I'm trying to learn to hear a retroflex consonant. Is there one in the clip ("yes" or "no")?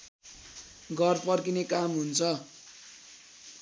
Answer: no